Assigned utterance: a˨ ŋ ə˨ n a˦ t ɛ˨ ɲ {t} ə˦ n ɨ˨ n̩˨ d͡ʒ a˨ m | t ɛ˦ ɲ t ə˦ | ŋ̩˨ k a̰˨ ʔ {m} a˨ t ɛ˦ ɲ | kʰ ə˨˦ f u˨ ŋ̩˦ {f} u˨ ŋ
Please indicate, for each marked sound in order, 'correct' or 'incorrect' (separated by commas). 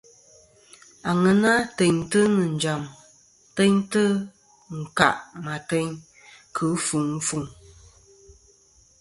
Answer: correct, correct, correct